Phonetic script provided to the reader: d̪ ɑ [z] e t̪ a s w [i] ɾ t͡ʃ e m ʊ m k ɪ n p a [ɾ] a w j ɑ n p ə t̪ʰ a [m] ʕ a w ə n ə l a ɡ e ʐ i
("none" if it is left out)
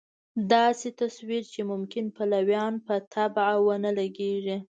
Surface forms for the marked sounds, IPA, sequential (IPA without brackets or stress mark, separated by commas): s, i, l, b